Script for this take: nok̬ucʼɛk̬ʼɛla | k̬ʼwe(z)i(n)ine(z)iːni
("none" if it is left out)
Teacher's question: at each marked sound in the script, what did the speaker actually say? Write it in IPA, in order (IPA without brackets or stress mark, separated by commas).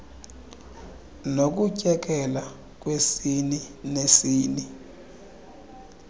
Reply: s, n, s